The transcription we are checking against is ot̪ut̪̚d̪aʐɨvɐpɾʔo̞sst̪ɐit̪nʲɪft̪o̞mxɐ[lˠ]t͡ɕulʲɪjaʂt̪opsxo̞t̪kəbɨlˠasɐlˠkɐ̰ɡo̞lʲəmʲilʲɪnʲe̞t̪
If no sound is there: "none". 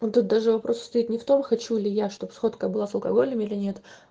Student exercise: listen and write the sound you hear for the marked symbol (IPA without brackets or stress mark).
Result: none